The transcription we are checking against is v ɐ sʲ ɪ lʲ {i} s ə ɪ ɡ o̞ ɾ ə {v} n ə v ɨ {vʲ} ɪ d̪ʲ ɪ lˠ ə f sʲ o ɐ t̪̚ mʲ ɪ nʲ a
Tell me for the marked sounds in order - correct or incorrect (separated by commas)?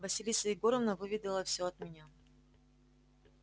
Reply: correct, correct, correct